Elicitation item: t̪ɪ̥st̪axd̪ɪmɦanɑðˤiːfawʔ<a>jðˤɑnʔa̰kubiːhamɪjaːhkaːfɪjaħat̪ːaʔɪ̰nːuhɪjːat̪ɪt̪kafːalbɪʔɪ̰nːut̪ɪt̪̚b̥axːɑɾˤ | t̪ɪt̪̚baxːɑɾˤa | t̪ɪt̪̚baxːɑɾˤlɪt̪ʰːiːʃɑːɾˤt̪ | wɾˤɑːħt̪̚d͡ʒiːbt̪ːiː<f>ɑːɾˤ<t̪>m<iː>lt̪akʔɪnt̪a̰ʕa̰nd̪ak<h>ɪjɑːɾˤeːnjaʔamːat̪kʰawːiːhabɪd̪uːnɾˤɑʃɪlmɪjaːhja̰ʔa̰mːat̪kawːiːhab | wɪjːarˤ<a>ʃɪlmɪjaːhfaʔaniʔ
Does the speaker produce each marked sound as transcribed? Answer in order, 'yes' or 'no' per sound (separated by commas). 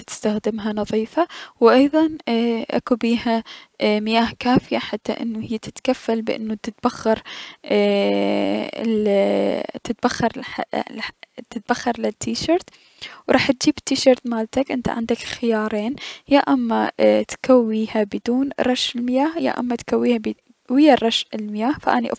no, no, yes, no, no, no